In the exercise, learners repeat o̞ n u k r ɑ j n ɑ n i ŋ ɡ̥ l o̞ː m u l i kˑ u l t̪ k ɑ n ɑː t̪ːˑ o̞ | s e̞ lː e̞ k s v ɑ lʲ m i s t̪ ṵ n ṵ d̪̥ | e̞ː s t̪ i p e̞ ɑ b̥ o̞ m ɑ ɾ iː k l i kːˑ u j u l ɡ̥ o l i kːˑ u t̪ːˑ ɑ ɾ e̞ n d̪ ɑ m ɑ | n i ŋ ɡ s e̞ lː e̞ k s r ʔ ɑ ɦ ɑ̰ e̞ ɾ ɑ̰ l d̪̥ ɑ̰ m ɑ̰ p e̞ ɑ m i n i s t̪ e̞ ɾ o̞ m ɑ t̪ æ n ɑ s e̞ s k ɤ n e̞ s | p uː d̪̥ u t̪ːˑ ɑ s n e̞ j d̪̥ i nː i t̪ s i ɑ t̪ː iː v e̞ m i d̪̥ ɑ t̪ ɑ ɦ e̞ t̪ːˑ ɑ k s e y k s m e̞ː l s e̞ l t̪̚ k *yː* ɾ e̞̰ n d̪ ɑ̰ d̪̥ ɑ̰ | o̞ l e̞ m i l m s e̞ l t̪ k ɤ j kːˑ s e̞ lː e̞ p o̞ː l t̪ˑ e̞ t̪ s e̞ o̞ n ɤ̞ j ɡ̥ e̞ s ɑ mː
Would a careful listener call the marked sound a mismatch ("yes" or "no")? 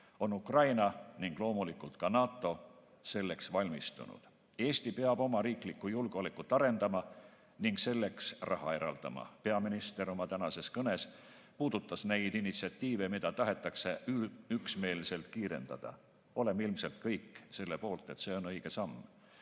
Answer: yes